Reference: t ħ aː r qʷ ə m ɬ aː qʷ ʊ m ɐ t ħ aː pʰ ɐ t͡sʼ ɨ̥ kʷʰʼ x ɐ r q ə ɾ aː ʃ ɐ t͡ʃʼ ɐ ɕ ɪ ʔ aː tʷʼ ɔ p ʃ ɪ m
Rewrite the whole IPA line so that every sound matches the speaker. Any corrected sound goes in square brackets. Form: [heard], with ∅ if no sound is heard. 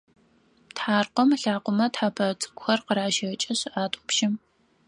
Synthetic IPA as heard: t ħ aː r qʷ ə m ɬ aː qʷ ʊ m ɐ t ħ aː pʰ ɐ t͡sʼ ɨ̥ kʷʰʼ x ɐ r q ə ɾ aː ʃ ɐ t͡ʃʼ ɐ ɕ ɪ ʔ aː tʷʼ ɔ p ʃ ɪ m